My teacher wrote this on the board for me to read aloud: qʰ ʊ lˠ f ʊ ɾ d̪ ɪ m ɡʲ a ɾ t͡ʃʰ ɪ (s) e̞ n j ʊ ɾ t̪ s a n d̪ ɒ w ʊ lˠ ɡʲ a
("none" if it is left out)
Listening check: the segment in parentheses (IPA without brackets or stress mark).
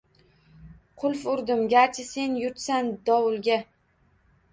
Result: s